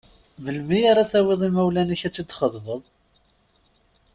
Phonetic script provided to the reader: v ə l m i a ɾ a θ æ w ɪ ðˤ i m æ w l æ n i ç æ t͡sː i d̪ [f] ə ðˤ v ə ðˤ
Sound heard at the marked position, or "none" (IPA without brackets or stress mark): χ